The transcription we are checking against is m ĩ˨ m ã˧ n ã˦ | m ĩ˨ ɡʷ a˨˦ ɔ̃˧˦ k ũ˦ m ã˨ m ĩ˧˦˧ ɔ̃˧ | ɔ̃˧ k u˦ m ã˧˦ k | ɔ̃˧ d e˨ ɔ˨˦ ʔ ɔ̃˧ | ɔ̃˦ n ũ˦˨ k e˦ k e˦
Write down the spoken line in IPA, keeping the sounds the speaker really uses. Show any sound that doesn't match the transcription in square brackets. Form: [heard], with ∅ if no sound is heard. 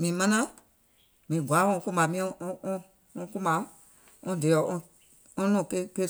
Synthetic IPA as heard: m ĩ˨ m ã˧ n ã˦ | m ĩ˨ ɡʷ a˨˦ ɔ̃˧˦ k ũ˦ m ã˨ m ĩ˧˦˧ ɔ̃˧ | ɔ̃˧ k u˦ m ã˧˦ [∅] | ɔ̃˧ d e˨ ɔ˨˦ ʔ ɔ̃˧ | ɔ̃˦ n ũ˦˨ k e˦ k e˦